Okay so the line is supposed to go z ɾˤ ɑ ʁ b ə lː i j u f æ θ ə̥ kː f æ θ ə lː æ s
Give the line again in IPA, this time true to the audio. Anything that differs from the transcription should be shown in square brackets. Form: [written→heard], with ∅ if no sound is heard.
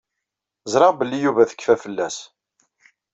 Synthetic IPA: z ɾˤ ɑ ʁ b ə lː i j u [f→v] æ θ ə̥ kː f æ [θ→f] ə lː æ s